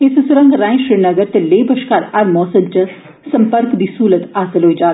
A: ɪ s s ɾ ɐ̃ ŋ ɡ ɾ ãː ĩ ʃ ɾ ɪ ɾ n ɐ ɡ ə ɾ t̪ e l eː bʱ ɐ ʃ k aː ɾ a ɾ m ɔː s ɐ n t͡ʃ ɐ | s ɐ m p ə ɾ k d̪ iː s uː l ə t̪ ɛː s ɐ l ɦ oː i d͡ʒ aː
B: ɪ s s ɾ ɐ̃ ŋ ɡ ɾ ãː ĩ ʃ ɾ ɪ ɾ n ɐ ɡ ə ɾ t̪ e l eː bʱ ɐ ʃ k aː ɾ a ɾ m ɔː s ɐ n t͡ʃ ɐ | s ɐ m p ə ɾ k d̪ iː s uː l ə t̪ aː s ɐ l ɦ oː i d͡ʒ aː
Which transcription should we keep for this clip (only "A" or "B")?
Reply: B